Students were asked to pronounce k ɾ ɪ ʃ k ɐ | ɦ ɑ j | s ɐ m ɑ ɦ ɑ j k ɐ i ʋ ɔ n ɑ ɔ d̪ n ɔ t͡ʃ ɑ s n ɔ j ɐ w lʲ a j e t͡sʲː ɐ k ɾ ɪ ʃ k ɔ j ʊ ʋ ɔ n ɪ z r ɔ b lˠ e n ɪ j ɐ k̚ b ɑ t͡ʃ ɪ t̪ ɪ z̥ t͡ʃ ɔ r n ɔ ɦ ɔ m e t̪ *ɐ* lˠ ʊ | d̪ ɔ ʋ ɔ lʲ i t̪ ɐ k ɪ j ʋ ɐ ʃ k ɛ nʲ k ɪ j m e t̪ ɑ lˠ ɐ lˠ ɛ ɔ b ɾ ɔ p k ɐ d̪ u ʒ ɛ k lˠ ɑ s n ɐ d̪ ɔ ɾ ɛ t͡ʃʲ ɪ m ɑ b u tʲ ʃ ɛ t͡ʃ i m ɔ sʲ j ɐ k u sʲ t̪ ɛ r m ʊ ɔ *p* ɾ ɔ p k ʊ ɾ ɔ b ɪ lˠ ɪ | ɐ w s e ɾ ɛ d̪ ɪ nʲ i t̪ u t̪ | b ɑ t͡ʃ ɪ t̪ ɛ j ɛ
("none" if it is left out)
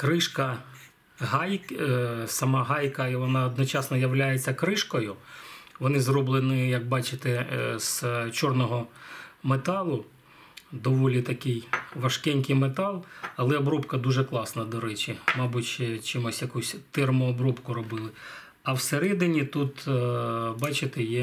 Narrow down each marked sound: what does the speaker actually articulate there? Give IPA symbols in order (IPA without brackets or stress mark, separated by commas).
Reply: ɑ, b